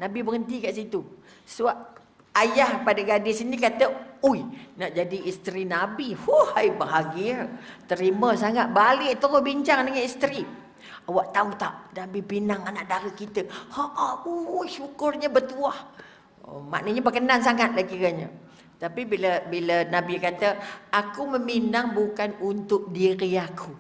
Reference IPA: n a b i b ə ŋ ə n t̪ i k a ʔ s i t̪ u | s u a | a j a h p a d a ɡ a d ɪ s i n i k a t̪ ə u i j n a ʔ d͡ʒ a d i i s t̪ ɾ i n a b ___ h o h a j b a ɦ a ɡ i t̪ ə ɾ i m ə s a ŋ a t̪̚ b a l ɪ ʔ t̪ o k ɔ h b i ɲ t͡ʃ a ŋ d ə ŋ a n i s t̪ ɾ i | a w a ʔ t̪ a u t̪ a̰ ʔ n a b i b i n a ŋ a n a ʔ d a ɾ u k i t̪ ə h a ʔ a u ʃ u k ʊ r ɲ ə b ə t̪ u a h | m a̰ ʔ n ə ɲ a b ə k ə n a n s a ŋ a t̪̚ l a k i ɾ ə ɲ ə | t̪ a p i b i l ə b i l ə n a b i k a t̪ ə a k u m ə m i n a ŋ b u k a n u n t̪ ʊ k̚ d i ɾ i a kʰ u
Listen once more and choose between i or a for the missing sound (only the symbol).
i